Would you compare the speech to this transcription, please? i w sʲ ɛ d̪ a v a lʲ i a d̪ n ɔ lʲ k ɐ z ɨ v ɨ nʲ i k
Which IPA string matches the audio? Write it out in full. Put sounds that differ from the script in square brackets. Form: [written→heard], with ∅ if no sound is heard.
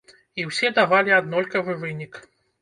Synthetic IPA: i w sʲ ɛ d̪ a v a lʲ i a d̪ n ɔ lʲ k ɐ [z→v] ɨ v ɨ nʲ i k